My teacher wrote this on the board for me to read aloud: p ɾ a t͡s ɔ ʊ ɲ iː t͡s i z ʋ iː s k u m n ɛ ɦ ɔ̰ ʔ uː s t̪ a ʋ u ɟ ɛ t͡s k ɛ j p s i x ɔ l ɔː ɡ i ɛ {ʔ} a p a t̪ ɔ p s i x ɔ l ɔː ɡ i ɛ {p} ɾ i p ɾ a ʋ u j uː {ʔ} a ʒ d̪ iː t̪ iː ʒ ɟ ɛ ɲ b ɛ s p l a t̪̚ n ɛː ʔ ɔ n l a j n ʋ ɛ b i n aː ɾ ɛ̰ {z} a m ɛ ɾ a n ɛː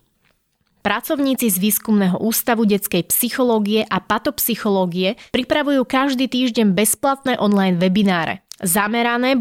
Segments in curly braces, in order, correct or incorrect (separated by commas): correct, correct, incorrect, correct